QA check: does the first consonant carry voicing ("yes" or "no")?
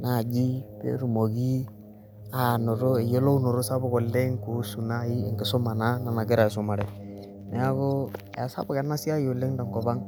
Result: yes